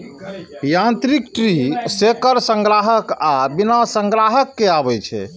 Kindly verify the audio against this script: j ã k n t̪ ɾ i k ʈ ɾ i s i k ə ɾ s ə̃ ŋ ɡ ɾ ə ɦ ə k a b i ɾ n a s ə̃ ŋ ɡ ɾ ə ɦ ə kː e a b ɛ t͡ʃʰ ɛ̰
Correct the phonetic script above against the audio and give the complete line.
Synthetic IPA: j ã n t̪ ɾ i k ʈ ɾ i s e k ə ɾ s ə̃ ŋ ɡ ɾ a ɦ ə k a b i n a s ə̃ ŋ ɡ ɾ a ɦ ə kː e a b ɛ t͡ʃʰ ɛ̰